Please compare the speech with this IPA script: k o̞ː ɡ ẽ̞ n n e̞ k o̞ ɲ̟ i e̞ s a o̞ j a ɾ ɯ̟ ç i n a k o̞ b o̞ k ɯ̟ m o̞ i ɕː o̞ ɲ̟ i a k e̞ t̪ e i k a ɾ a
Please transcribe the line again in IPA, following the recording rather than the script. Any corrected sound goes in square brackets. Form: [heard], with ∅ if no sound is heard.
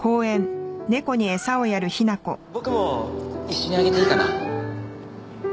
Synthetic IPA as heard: k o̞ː [∅] ẽ̞ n n e̞ k o̞ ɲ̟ i e̞ s a o̞ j a ɾ ɯ̟ ç i n a k o̞ b o̞ k ɯ̟ m o̞ i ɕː o̞ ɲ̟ i a [ɡ] e̞ t̪ e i k a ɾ a